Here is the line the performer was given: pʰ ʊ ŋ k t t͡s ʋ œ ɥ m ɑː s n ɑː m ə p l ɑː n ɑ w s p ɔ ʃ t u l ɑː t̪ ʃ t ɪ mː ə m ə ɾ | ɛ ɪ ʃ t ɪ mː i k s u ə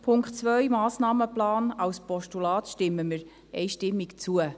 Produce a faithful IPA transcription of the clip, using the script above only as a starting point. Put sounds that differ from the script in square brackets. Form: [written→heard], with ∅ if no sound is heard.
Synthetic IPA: pʰ ʊ ŋ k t t͡s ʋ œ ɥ m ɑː s n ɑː m ə p l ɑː n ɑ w s p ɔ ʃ t u l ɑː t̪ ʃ t ɪ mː ə m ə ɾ | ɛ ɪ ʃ t ɪ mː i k [s→t͡s] u ə